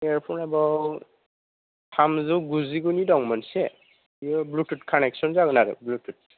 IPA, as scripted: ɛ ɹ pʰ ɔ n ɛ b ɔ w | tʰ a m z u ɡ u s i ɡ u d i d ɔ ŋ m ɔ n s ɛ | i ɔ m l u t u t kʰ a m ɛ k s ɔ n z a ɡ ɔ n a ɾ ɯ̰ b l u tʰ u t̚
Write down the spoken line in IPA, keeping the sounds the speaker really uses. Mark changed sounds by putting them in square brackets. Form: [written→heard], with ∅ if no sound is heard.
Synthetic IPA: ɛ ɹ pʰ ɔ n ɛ b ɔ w | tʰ a m z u ɡ u [s→z] i ɡ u [d→n] i d ɔ ŋ m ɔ n s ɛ | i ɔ [m→b] l u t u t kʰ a [m→n] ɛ k s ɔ n z a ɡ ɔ n a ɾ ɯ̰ b l u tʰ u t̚